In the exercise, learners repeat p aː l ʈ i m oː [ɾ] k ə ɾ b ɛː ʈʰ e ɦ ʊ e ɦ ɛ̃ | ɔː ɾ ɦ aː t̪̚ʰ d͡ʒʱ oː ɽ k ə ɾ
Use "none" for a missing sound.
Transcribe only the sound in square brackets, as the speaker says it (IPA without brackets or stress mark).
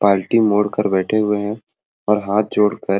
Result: ɽ